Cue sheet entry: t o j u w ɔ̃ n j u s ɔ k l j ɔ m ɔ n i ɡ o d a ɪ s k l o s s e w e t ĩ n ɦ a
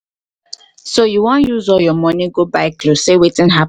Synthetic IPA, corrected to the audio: s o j u w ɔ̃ n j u z ɔ l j ɔ m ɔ n i ɡ o b a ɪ k l o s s e w e t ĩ n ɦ a